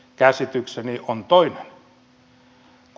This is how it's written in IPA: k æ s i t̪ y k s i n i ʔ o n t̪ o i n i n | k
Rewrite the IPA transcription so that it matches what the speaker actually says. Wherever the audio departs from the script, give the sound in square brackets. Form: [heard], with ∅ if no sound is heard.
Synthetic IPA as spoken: k æ s i t̪ y k s [e] n i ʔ o n t̪ o i n [e] n | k